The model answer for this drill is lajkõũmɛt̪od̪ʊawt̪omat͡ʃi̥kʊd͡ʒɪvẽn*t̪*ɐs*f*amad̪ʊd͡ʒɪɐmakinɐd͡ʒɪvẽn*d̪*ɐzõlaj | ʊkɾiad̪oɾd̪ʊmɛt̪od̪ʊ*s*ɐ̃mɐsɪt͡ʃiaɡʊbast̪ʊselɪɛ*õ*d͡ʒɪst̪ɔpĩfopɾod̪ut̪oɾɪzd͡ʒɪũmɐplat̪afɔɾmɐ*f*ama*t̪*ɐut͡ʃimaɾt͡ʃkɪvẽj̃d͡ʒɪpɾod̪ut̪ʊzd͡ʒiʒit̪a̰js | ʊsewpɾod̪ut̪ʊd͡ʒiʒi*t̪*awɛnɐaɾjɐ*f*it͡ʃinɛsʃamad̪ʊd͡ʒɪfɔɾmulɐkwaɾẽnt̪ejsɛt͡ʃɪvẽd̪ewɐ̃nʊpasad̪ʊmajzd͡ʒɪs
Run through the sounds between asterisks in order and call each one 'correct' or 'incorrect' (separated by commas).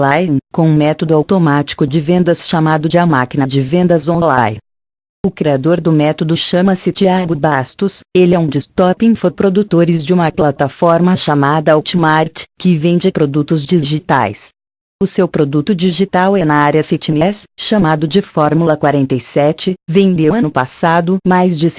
incorrect, incorrect, correct, incorrect, incorrect, incorrect, incorrect, correct, correct